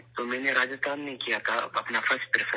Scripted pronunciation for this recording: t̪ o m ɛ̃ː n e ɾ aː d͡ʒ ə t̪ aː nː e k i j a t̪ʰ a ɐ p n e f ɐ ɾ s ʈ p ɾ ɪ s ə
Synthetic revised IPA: t̪ o m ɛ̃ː n e ɾ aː d͡ʒ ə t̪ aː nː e k i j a t̪ʰ a ɐ p n a f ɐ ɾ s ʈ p ɾ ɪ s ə